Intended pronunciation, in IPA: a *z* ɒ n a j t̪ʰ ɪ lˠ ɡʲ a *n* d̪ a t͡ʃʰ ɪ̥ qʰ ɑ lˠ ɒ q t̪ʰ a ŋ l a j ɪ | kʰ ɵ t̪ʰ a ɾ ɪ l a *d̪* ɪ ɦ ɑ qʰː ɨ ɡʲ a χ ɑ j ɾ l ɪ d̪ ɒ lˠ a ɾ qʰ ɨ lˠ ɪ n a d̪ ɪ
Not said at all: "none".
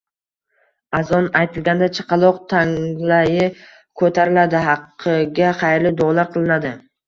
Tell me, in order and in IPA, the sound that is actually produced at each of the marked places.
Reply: z, n, d̪

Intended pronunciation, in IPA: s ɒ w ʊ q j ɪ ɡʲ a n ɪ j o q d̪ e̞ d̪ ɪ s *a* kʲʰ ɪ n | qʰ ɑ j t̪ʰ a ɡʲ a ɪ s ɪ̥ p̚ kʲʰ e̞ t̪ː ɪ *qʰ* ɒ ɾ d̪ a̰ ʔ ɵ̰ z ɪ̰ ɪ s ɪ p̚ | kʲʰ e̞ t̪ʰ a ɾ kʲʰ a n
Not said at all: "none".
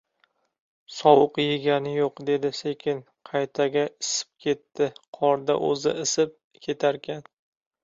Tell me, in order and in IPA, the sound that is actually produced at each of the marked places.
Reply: e, qʰ

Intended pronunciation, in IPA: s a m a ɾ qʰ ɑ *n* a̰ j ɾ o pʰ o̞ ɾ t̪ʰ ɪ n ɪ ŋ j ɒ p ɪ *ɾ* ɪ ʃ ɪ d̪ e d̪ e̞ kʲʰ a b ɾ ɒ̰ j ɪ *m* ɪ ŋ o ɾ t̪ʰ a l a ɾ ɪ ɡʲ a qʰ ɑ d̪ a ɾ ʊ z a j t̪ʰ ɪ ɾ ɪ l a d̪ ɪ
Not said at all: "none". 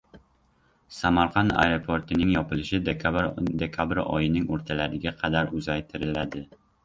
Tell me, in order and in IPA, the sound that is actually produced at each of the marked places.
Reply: n, l, n

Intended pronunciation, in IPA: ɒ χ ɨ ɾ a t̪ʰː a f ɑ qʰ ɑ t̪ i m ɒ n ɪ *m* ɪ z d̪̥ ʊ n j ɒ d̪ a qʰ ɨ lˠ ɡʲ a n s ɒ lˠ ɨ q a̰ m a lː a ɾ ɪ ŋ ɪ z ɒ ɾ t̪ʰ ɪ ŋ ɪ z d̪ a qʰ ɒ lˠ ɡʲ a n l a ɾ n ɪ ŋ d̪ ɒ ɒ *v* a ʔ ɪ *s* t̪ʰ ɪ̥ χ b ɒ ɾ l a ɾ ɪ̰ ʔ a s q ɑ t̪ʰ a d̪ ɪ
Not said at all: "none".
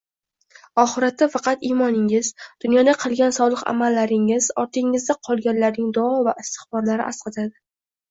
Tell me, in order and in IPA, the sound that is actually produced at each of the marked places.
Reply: ŋ, v, s

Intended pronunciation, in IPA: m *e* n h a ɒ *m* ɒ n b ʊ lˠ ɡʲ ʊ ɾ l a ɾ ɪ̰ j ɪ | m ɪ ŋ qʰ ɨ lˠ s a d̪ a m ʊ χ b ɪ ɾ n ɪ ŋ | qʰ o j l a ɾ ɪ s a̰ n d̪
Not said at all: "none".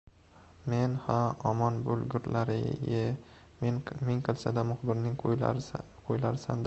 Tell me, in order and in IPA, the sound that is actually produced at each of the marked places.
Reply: e, m

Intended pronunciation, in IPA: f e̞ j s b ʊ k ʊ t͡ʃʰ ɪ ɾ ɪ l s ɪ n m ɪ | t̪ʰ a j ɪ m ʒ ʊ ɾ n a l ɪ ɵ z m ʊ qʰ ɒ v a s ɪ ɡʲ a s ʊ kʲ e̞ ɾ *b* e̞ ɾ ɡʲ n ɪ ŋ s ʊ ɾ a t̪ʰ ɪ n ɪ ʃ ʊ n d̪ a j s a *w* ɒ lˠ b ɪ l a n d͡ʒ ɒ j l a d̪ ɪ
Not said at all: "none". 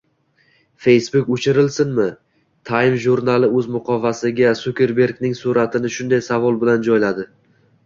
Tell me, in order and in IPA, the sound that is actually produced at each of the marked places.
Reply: b, v

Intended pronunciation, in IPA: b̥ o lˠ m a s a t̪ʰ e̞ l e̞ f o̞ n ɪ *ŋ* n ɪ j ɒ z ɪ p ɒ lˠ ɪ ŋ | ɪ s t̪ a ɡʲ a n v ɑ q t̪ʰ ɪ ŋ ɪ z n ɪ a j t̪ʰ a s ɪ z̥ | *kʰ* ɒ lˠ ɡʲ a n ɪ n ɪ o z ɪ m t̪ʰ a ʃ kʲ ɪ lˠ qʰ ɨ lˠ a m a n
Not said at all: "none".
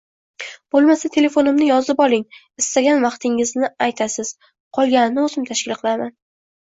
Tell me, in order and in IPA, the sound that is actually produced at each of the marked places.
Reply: m, qʰ

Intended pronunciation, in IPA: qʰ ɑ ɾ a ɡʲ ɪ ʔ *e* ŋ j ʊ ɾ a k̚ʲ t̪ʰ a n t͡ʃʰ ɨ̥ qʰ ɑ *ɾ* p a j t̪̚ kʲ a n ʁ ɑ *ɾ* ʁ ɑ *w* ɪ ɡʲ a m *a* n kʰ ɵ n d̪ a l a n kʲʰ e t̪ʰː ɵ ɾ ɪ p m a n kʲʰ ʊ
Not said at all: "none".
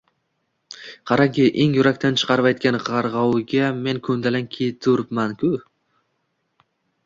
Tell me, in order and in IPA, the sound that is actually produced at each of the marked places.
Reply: e, ɾ, ɾ, w, e

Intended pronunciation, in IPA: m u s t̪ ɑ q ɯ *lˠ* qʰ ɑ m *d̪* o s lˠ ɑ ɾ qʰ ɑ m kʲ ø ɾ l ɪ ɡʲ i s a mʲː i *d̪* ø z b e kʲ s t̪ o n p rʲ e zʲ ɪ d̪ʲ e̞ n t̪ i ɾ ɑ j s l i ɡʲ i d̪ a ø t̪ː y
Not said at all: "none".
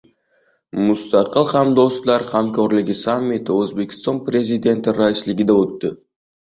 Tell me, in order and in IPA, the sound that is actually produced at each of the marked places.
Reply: lˠ, d̪, t̪

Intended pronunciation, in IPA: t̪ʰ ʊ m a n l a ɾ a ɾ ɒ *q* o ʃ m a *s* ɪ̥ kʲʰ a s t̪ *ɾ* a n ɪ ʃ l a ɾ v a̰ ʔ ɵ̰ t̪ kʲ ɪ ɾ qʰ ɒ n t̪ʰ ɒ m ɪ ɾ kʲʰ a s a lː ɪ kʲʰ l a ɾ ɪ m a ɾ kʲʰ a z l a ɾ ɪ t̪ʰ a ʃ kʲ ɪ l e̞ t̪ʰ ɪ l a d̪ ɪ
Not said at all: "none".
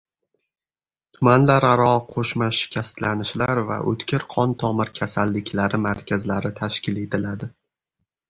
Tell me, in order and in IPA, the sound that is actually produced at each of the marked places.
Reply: qʰ, ʃ, l

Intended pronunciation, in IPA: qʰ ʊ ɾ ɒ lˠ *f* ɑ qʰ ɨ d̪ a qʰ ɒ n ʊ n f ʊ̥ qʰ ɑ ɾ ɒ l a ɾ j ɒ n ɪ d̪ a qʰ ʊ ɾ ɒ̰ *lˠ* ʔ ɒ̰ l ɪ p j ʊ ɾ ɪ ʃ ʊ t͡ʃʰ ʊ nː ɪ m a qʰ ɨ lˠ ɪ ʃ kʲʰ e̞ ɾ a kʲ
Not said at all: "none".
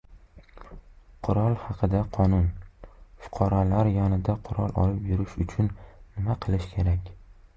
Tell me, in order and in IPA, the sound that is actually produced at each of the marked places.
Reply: h, lˠ

